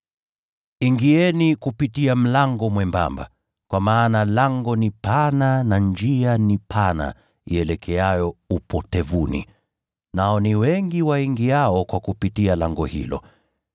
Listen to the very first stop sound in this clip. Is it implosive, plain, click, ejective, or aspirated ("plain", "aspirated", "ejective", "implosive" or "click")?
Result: plain